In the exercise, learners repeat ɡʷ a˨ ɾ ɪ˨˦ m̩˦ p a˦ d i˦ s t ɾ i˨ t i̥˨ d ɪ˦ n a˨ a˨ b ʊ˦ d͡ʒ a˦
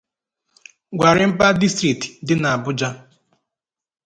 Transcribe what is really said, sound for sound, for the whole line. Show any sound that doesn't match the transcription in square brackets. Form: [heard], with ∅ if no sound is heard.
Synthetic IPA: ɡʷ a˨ ɾ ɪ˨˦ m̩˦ p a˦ d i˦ s t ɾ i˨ t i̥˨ d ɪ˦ n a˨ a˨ b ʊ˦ d͡ʒ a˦